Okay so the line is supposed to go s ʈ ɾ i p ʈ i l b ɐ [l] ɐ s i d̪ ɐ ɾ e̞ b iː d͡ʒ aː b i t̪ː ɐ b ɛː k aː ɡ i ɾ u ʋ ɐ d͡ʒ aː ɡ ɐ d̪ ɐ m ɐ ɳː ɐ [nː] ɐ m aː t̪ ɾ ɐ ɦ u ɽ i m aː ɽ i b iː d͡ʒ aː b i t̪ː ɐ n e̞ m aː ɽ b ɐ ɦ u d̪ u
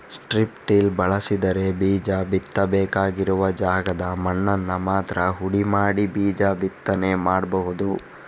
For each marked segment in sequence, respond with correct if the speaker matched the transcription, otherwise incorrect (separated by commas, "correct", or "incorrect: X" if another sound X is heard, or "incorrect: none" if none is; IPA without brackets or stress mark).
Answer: incorrect: ɭ, correct